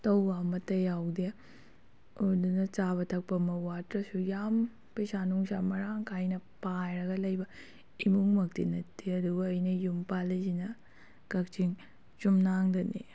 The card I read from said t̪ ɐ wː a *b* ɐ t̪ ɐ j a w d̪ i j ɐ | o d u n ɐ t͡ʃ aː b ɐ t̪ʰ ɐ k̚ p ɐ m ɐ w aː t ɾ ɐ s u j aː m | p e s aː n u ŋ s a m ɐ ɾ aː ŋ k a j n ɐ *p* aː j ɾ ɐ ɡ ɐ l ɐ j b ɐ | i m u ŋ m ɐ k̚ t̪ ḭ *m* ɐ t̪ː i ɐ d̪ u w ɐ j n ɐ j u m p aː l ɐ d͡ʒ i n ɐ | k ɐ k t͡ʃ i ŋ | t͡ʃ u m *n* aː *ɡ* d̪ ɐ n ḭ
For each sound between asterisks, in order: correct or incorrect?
incorrect, correct, incorrect, correct, incorrect

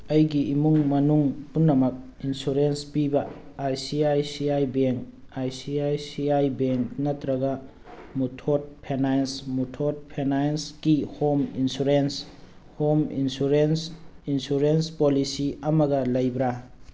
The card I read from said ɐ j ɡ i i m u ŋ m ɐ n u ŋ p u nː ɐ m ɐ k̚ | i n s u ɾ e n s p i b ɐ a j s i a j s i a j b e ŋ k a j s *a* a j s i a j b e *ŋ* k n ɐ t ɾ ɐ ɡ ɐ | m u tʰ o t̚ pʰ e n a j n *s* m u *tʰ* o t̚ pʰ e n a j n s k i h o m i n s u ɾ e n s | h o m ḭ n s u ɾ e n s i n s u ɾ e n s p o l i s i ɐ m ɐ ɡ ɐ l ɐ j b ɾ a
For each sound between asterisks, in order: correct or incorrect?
incorrect, correct, correct, correct

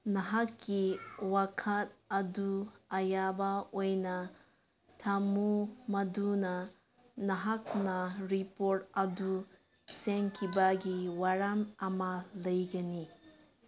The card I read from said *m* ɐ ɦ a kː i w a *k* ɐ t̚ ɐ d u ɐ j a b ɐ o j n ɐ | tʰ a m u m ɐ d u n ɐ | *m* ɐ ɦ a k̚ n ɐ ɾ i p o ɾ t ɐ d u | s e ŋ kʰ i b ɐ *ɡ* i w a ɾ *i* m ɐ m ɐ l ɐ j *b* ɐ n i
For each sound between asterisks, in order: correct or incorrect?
incorrect, incorrect, incorrect, correct, incorrect, incorrect

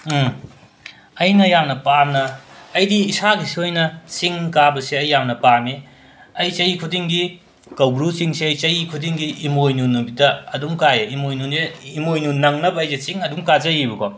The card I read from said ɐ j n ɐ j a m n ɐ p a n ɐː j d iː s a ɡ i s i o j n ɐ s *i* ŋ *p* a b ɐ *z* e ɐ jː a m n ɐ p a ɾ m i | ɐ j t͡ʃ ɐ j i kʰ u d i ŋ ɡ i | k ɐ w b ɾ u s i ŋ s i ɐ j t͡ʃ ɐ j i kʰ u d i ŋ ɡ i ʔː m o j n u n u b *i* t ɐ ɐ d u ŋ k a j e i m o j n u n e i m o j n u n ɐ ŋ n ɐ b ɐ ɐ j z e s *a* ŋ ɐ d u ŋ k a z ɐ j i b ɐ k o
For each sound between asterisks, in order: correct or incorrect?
correct, incorrect, incorrect, correct, incorrect

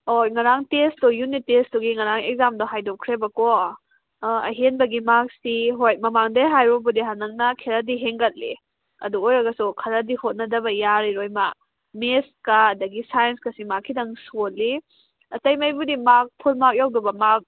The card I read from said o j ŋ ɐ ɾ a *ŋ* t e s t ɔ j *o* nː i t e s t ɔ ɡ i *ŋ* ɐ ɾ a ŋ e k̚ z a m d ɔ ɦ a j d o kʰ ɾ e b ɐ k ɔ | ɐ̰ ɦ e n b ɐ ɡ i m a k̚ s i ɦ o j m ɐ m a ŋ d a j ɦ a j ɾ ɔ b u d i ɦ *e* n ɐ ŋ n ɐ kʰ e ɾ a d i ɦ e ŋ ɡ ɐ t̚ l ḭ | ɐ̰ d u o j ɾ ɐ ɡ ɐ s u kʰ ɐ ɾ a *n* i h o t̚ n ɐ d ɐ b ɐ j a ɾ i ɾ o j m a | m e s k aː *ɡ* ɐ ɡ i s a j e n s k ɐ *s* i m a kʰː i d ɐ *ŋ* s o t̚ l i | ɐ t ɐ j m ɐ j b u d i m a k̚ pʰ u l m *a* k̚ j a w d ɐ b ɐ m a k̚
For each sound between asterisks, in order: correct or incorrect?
correct, incorrect, correct, incorrect, incorrect, incorrect, correct, correct, correct

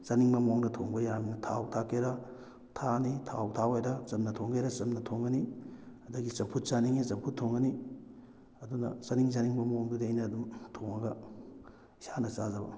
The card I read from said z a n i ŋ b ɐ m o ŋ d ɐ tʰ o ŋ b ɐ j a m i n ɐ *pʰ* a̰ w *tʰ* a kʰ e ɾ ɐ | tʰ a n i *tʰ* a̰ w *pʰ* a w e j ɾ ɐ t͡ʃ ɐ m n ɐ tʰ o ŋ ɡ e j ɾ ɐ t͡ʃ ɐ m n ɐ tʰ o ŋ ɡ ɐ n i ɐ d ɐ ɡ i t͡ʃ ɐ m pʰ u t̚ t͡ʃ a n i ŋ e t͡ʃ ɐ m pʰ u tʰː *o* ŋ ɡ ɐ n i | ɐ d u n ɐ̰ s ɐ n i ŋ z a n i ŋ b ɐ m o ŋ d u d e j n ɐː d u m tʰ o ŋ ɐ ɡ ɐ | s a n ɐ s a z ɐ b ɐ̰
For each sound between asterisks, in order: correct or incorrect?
incorrect, correct, correct, incorrect, correct

